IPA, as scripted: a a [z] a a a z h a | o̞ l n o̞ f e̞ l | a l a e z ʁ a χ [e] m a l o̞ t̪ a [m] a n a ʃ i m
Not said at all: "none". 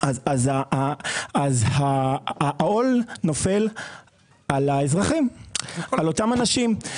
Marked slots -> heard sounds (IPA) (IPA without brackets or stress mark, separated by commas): z, i, m